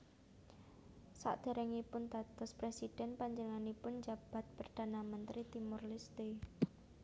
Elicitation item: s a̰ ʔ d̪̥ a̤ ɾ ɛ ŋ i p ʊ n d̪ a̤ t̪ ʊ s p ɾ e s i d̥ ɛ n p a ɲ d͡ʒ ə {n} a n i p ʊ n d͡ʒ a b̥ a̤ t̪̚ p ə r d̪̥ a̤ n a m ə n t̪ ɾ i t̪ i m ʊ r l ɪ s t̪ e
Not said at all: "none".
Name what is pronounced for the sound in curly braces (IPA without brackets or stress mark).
ŋ